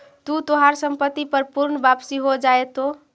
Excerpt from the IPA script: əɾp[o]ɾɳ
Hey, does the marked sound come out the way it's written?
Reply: no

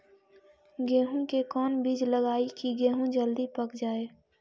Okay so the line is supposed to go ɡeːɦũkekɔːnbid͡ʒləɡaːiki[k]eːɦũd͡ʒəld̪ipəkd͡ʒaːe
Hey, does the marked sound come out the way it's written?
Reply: no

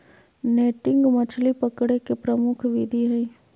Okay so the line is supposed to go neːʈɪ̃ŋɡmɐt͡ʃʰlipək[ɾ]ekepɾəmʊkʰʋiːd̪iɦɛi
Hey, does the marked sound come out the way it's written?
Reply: no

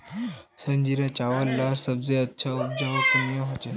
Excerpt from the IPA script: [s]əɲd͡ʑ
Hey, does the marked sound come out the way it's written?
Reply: yes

